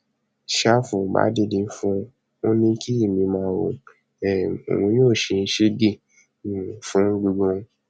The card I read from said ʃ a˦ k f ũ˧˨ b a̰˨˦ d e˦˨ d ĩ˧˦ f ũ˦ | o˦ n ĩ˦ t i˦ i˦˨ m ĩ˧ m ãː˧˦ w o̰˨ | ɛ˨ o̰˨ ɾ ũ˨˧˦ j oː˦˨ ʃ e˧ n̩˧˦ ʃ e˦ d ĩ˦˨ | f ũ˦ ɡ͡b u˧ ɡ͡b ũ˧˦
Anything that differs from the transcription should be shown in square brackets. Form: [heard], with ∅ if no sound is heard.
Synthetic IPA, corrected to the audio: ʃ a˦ [∅] f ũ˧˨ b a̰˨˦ d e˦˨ d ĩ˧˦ f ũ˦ | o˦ n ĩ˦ [k] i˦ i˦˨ m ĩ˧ m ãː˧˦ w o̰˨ | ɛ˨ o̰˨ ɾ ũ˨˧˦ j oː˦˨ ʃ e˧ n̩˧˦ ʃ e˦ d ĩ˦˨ | f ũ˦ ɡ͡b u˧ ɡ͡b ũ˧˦

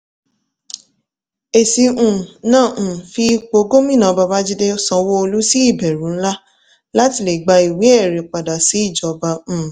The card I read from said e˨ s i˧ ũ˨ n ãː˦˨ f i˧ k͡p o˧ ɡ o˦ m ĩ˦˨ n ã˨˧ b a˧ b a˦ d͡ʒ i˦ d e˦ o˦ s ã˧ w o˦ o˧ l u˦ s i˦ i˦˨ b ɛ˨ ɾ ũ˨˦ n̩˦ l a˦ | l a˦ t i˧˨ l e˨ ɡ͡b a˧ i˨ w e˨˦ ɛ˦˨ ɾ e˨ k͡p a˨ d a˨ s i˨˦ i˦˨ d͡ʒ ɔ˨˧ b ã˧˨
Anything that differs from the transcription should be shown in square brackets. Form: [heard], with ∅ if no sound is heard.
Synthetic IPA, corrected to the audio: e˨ s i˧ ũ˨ n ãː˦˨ f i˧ k͡p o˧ ɡ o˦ m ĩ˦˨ n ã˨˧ b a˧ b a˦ d͡ʒ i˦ d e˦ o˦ s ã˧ w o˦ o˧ l u˦ s i˦ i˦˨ b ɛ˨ ɾ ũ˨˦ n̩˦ l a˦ | l a˦ t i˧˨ l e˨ ɡ͡b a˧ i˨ w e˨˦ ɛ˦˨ ɾ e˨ k͡p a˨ d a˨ s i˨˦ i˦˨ d͡ʒ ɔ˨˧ b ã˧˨

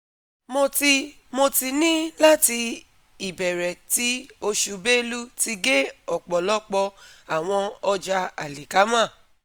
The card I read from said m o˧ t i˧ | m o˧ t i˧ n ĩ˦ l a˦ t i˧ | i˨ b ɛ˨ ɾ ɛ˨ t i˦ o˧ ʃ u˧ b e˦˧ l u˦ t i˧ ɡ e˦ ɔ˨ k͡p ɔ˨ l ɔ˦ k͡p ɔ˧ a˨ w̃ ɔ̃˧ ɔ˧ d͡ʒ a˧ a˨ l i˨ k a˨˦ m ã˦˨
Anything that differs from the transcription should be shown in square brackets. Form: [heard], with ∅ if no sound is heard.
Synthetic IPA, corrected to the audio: m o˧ t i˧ | m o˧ t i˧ n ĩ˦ l a˦ t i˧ | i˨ b ɛ˨ ɾ ɛ˨ t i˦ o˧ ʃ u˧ b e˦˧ l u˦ t i˧ ɡ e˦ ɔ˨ k͡p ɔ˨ l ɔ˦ k͡p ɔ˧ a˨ w̃ ɔ̃˧ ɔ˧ d͡ʒ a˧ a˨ l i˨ k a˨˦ m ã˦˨

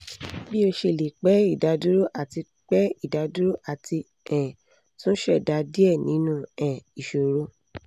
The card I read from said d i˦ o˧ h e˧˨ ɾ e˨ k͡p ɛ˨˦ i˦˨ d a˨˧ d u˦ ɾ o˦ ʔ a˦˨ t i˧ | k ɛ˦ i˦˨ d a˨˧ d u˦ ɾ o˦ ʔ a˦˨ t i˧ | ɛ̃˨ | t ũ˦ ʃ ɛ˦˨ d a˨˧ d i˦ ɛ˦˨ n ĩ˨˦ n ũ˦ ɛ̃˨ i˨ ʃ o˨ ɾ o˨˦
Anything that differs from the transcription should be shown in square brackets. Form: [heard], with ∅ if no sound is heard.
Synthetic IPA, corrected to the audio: [b] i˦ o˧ [ʃ] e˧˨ [l] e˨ k͡p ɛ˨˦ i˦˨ d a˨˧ d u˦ ɾ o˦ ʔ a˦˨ t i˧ | [k͡p] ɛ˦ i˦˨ d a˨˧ d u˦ ɾ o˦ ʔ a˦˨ t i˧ | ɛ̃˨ | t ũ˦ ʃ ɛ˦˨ d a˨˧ d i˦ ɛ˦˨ n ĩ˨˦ n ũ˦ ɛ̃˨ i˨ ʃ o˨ ɾ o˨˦

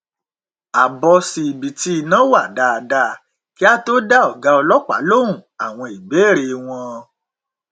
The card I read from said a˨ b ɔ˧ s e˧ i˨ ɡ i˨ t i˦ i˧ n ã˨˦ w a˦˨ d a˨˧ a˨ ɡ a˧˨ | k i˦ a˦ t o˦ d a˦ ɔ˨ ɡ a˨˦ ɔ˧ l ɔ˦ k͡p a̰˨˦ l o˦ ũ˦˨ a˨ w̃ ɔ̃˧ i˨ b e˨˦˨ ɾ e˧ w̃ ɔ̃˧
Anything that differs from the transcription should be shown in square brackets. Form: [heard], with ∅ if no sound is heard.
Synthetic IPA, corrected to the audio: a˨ b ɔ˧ s [i˧] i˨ [b] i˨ t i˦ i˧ n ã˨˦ w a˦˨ d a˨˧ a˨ [d] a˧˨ | k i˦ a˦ t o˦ d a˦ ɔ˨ ɡ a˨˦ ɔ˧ l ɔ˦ k͡p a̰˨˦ l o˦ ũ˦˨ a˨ w̃ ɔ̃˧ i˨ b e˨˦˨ ɾ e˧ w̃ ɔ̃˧

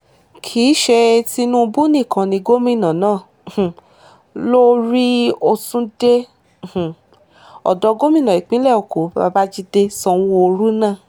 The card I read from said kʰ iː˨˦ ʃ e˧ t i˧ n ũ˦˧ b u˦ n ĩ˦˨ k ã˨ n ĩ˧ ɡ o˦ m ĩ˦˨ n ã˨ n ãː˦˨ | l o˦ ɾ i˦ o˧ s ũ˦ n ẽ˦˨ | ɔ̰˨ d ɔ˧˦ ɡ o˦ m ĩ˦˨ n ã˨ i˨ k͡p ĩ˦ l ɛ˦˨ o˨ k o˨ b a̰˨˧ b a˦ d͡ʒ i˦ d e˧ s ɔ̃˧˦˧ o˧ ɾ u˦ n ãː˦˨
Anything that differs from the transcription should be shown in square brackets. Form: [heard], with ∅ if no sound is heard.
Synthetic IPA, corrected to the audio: kʰ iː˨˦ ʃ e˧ t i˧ n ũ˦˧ b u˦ n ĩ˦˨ k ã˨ n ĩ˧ ɡ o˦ m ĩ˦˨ n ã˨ n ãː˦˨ | l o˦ ɾ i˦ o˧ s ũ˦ [d] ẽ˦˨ | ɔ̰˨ d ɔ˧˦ ɡ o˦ m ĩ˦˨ n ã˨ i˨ k͡p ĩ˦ l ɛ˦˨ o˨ k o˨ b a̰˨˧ b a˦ d͡ʒ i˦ d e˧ s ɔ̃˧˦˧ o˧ ɾ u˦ n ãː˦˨

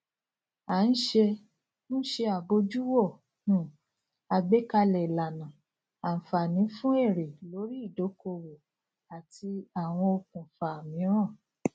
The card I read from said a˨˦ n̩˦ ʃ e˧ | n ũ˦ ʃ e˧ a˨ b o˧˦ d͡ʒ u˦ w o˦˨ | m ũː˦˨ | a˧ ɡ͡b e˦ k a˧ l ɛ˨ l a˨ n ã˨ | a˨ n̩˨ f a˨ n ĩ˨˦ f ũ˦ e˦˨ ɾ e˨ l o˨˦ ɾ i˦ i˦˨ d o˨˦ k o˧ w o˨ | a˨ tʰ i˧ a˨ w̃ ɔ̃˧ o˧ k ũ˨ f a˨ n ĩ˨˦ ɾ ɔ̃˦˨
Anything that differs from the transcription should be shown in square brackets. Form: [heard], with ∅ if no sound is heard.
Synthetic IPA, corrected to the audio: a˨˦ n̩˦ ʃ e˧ | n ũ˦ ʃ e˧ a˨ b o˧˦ d͡ʒ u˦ w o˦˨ | [n] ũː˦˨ | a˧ ɡ͡b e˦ k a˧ l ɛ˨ l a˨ n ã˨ | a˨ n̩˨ f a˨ n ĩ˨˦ f ũ˦ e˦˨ ɾ e˨ l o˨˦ ɾ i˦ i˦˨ d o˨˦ k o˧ w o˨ | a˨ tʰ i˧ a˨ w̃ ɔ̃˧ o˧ k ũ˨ f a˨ [m] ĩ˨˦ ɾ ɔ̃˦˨

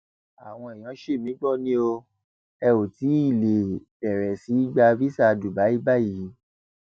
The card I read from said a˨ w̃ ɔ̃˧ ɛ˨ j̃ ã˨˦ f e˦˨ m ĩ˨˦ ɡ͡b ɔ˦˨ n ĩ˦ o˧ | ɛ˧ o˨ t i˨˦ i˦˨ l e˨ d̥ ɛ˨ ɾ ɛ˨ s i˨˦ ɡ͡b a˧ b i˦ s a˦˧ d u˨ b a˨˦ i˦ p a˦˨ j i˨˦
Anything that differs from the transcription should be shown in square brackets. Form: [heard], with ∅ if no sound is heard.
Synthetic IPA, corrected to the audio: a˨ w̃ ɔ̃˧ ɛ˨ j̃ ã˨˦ [ʃ] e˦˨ m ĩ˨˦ ɡ͡b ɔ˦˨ n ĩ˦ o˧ | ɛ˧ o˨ t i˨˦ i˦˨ l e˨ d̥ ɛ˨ ɾ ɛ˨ s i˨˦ ɡ͡b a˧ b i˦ s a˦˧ d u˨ b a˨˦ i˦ [b] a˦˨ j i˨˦

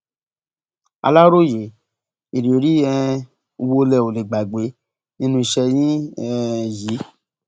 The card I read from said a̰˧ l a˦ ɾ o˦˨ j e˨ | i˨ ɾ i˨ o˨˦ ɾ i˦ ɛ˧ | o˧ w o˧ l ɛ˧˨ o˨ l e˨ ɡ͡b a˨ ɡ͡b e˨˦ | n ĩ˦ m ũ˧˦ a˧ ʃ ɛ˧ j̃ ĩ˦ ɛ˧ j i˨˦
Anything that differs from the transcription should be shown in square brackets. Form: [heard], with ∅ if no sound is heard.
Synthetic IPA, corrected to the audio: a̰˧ l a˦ ɾ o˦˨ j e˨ | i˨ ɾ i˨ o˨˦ ɾ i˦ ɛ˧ | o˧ w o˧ l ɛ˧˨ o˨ l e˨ ɡ͡b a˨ ɡ͡b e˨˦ | n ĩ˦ [n] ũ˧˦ [i˧] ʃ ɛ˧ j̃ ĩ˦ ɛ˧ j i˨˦

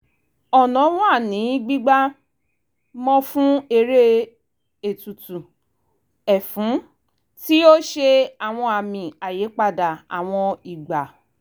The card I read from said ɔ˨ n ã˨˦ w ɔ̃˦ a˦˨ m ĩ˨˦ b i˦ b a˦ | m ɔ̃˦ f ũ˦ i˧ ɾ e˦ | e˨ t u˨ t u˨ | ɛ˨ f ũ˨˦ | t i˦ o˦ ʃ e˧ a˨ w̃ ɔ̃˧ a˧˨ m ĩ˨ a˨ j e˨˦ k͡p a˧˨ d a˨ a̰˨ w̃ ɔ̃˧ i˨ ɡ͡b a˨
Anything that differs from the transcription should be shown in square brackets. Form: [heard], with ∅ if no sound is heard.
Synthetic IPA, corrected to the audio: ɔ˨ n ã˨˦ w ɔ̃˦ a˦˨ [n] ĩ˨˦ [ɡ͡b] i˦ [ɡ͡b] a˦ | m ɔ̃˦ f ũ˦ [e˧] ɾ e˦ | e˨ t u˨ t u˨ | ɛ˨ f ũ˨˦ | t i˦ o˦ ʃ e˧ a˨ w̃ ɔ̃˧ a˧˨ m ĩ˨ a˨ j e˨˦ k͡p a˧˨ d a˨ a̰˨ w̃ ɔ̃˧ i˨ ɡ͡b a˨

